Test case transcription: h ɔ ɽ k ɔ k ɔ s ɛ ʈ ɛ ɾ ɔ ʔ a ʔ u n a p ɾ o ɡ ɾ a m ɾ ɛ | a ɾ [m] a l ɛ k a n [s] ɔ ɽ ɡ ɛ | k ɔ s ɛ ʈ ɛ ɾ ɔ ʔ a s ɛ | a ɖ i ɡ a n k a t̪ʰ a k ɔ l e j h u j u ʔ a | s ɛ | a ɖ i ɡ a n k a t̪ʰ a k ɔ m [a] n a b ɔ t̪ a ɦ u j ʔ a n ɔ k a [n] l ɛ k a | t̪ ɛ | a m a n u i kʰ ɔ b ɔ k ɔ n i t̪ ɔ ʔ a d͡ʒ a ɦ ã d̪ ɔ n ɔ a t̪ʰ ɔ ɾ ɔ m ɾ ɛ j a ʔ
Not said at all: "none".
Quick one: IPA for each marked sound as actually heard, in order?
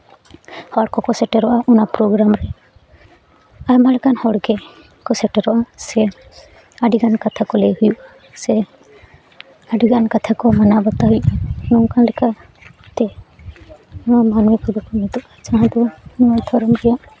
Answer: m, h, a, n

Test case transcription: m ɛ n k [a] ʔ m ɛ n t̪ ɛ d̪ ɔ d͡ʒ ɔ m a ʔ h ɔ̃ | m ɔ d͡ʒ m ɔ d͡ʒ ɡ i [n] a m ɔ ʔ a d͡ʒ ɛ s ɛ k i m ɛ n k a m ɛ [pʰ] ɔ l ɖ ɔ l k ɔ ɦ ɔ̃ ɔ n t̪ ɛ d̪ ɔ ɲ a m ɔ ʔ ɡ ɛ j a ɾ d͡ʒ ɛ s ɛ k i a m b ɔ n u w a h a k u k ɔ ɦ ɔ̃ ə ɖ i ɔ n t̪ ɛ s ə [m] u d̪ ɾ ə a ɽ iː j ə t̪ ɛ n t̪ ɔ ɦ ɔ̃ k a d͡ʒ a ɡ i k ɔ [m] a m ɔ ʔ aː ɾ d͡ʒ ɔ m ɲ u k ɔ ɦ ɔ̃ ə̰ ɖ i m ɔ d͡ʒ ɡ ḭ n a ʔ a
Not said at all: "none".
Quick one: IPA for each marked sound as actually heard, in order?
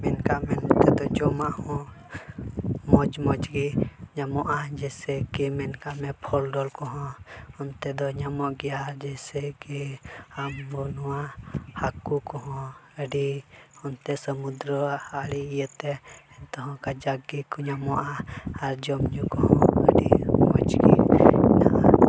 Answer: a, ɲ, pʰ, m, ɲ

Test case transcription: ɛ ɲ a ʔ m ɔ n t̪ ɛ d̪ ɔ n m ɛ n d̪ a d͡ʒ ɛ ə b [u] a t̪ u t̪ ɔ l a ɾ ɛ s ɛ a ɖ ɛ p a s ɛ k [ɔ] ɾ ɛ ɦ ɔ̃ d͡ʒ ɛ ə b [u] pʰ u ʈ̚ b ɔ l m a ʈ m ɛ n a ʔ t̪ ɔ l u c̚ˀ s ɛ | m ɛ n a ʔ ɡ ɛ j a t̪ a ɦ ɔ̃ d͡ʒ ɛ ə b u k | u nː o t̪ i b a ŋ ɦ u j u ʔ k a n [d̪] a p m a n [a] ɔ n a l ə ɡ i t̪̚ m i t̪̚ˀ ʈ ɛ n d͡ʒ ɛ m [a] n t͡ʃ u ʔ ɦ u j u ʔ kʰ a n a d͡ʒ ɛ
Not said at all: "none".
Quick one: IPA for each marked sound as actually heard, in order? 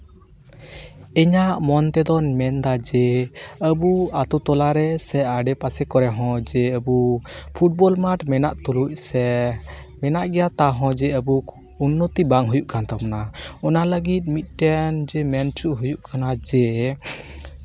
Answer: u, ɔ, u, t̪, a, ɛ

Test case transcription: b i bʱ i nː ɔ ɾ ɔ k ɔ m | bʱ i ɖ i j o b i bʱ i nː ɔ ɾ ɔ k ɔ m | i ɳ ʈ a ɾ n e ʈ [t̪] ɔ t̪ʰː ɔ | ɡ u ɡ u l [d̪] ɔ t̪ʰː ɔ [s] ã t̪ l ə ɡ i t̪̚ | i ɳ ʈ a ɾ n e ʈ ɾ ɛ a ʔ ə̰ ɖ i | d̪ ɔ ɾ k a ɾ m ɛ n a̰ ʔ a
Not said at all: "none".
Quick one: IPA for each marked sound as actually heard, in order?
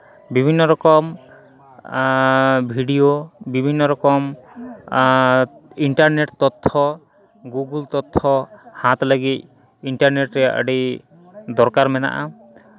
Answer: t̪, t̪, h

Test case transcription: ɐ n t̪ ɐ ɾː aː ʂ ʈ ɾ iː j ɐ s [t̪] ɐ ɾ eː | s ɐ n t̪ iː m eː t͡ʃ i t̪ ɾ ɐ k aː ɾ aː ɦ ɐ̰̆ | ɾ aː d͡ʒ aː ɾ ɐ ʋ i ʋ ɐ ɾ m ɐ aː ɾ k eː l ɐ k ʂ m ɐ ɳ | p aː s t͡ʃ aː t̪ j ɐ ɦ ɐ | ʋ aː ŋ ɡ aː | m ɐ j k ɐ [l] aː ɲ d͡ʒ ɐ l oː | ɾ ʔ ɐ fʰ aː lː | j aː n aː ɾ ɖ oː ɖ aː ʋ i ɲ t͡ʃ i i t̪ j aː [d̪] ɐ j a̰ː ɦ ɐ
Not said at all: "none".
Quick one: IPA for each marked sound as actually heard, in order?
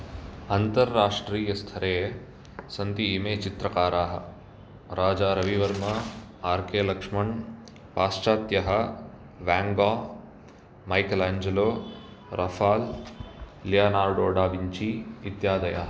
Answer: t̪ʰ, l, d̪

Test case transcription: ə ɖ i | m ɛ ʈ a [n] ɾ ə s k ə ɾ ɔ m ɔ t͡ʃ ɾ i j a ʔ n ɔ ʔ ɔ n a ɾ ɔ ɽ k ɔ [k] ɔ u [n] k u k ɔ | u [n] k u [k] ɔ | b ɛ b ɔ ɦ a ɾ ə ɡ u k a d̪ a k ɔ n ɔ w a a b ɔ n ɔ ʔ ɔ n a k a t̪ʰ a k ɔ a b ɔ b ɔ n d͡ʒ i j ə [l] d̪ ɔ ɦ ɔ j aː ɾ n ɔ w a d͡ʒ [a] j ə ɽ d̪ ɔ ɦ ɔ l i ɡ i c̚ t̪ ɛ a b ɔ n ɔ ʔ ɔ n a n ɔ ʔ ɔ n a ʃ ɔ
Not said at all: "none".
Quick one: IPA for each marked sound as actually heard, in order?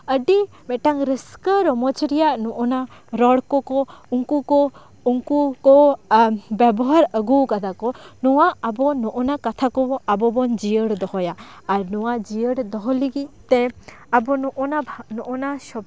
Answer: ŋ, k, ŋ, ŋ, k, ɽ, i

